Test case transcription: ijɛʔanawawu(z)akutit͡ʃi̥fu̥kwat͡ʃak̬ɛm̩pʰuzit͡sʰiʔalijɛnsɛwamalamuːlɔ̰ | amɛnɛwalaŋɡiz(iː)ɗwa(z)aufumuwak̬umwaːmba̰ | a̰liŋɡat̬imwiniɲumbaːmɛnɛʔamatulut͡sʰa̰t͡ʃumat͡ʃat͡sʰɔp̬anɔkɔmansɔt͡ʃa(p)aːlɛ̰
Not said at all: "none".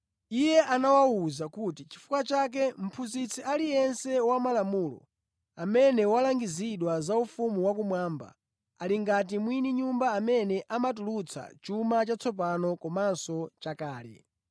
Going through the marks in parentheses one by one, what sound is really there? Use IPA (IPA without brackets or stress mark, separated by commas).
z, i, z, k